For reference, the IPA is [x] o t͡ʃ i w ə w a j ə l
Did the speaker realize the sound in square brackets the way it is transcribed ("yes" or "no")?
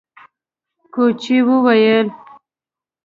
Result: no